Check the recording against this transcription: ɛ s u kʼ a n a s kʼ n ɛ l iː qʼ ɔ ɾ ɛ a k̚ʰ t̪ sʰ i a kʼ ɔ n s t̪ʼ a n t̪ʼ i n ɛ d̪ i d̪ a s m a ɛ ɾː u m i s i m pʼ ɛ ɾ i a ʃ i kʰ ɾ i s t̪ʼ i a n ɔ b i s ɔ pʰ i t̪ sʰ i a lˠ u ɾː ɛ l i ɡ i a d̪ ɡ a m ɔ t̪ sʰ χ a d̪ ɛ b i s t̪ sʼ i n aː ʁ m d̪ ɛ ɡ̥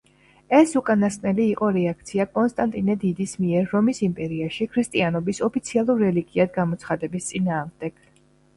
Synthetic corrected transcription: ɛ s u kʼ a n a s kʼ n ɛ l iː qʼ ɔ ɾ ɛ a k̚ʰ t̪ sʰ i a kʼ ɔ n s t̪ʼ a n t̪ʼ i n ɛ d̪ i d̪ i s m i ɛ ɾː ɔ m i s i m pʼ ɛ ɾ i a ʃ i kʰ ɾ i s t̪ʼ i a n ɔ b i s ɔ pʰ i t̪ sʰ i a lˠ u ɾː ɛ l i ɡ i a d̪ ɡ a m ɔ t̪ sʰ χ a d̪ ɛ b i s t̪ sʼ i n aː ʁ m d̪ ɛ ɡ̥